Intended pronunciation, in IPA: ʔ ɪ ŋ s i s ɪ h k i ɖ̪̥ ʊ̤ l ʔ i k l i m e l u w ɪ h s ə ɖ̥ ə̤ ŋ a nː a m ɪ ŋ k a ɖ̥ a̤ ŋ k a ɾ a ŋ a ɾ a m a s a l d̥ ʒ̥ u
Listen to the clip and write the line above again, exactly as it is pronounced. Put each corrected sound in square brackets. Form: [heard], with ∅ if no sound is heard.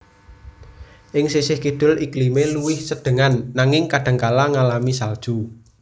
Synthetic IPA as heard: ʔ ɪ ŋ s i s ɪ h k i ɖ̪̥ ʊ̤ l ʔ i k l i m e l u w ɪ h s ə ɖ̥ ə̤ ŋ a nː a [ŋ] ɪ ŋ k a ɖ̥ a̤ ŋ k a [l] a ŋ a [l] a m [i] s a l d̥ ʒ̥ u